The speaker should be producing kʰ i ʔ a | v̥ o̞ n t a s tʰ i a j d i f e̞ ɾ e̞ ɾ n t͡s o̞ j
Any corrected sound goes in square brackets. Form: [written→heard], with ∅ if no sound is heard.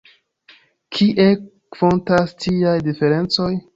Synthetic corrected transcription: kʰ i ʔ [a→e] | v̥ o̞ n t a s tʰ i a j d i f e̞ ɾ e̞ [ɾ→∅] n t͡s o̞ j